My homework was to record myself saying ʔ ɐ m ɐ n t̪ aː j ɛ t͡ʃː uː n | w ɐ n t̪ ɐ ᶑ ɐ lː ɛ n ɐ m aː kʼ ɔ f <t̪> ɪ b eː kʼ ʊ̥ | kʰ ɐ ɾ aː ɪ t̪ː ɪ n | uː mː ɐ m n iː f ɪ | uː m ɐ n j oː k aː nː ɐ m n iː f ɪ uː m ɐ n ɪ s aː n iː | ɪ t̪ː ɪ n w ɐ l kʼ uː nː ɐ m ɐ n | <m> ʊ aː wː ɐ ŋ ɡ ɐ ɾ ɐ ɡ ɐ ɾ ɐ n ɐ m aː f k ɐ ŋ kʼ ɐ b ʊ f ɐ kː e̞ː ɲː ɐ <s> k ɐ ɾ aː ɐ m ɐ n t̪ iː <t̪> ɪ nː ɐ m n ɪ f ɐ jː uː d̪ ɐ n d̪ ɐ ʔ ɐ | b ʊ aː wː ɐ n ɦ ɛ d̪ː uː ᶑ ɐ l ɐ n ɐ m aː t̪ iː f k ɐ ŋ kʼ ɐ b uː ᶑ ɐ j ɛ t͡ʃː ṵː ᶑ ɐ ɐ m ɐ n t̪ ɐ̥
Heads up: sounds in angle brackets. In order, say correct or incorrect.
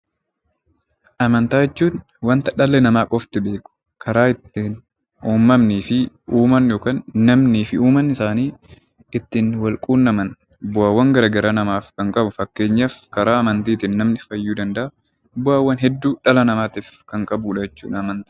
correct, incorrect: b, incorrect: f, correct

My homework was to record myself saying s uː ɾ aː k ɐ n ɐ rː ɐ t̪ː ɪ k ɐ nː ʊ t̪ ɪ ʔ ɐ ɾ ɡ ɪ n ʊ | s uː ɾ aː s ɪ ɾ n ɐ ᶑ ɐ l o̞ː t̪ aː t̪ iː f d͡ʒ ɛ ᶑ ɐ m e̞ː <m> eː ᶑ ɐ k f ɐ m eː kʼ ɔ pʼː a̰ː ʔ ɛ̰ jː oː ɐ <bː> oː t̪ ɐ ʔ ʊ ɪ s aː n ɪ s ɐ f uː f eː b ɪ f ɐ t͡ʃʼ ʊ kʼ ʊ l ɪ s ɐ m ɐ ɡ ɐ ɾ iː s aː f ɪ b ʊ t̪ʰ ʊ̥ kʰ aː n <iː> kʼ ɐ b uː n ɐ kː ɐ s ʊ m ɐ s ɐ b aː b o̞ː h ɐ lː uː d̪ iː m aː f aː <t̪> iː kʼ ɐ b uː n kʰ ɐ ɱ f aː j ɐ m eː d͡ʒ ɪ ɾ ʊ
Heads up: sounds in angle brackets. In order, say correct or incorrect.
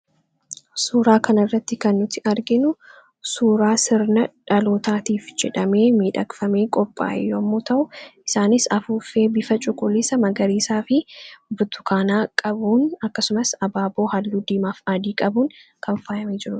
correct, incorrect: mː, incorrect: aː, incorrect: d̪

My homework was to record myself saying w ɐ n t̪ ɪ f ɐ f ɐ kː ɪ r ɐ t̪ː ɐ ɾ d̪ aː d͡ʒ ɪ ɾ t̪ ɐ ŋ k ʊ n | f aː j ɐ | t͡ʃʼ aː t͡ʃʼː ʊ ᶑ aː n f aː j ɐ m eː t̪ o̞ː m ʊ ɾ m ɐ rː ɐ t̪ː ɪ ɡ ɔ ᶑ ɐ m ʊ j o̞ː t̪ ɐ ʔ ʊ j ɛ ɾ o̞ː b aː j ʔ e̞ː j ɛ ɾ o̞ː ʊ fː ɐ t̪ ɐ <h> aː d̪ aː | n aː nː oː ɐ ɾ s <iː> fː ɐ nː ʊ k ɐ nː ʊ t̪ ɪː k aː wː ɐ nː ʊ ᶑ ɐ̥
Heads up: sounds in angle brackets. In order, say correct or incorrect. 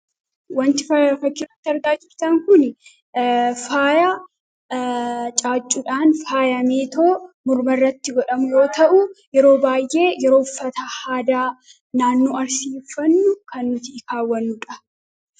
correct, correct

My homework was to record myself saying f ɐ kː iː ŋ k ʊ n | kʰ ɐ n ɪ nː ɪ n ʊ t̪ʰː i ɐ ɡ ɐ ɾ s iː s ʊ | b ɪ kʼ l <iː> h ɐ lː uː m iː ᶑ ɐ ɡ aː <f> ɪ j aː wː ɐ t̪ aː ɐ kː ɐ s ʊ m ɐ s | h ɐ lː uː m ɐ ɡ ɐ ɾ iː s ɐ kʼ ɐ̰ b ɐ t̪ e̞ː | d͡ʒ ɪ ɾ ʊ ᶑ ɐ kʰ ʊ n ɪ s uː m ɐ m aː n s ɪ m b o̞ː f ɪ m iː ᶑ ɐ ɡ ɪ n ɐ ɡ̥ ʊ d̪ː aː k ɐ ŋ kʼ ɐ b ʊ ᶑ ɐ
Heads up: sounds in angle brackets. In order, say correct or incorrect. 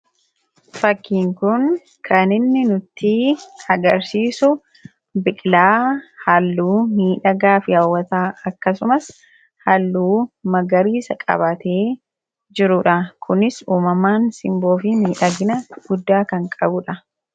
incorrect: aː, correct

